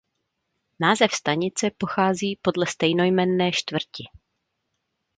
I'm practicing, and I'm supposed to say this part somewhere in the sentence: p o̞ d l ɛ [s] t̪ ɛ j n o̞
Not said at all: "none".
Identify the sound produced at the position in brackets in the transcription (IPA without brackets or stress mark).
s